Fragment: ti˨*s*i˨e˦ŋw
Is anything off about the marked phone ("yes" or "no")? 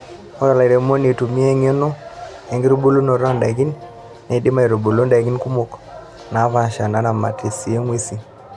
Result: no